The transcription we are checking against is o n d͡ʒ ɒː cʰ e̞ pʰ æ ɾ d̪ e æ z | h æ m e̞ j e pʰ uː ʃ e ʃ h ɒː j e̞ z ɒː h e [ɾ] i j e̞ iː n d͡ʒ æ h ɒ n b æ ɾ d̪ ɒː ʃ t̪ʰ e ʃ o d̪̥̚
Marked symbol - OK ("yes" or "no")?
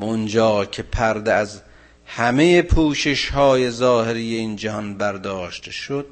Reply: yes